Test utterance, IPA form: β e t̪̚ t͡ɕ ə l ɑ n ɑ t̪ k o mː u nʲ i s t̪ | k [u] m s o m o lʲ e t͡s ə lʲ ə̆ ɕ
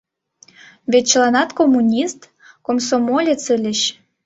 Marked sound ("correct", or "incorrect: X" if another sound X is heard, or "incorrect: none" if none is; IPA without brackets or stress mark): incorrect: o